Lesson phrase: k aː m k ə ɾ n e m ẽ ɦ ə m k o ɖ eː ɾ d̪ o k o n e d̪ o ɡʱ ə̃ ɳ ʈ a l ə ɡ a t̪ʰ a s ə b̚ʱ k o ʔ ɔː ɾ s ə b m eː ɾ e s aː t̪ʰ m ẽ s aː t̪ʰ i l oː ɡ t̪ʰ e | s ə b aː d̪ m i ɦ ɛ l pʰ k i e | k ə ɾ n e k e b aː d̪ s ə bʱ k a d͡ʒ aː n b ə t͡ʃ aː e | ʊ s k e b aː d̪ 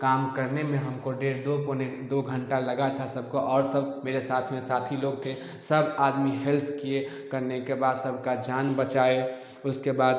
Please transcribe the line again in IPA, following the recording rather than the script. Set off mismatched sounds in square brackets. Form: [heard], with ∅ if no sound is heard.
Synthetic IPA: k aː m k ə ɾ n e m ẽ ɦ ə m k o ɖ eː ɾ d̪ o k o n e d̪ o ɡʱ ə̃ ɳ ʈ a l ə ɡ a t̪ʰ a s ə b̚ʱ k o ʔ ɔː ɾ s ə b m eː ɾ e s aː t̪ʰ m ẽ s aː t̪ʰ i l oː ɡ t̪ʰ e | s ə b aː d̪ m i ɦ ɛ l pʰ k i e | k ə ɾ n e k e b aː d̪ s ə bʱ k a d͡ʒ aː n b ə t͡ʃ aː e | ʊ s k e b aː d̪

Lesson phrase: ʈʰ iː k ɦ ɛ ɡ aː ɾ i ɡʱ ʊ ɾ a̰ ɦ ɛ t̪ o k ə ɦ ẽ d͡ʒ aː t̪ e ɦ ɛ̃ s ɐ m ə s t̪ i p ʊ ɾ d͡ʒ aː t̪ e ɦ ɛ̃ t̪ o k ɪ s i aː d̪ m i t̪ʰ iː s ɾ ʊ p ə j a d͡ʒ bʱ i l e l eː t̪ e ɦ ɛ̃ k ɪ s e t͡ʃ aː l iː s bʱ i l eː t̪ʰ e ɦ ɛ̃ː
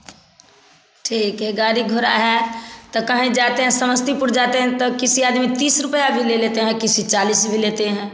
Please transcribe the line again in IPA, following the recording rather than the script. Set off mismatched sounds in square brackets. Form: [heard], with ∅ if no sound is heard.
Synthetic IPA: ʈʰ iː k ɦ ɛ ɡ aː ɾ i ɡʱ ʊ ɾ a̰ ɦ ɛ t̪ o k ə ɦ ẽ d͡ʒ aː t̪ e ɦ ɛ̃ s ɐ m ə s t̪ i p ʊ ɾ d͡ʒ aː t̪ e ɦ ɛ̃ t̪ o k ɪ s i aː d̪ m i [t̪] iː s ɾ ʊ p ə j a [∅] bʱ i l e l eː t̪ e ɦ ɛ̃ k ɪ s [i] t͡ʃ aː l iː s bʱ i l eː [t̪] e ɦ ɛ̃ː

